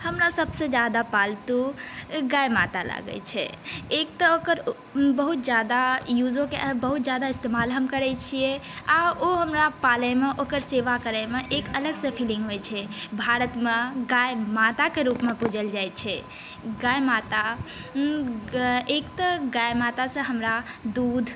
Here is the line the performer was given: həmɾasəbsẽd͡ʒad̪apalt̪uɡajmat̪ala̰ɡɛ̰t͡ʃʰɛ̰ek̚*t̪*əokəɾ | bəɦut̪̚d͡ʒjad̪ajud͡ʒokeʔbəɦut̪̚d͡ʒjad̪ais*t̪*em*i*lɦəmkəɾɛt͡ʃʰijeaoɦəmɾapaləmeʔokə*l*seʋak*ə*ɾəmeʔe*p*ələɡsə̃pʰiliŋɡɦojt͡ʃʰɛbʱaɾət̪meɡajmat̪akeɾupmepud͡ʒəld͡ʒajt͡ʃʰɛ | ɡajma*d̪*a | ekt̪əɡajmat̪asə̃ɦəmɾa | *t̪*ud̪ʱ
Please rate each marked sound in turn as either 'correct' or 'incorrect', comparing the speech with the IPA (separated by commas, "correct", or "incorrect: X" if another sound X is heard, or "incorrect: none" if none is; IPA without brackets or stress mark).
correct, correct, incorrect: a, incorrect: ɾ, correct, incorrect: k, incorrect: t̪, incorrect: d̪